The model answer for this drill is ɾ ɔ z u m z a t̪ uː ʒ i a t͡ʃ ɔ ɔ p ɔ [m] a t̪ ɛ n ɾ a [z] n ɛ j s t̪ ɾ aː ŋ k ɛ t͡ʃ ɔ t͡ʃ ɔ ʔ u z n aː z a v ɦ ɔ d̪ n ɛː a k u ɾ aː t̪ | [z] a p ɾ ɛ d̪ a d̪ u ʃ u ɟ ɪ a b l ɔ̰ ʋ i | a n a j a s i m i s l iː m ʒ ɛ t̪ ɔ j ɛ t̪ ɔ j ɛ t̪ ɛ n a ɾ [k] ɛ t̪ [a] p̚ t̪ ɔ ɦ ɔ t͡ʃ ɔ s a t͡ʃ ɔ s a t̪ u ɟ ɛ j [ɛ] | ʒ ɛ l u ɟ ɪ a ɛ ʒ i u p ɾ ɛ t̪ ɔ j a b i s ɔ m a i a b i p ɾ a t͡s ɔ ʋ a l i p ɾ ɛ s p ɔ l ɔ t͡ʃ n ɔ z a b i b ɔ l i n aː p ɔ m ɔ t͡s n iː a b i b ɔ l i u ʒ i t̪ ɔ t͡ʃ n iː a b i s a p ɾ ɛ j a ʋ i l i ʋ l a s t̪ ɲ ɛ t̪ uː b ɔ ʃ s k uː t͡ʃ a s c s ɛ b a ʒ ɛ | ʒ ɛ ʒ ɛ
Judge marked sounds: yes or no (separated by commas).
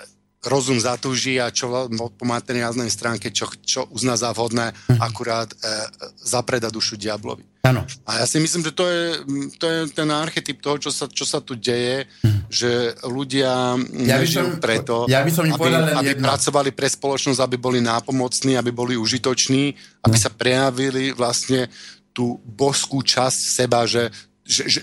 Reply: yes, yes, yes, no, no, yes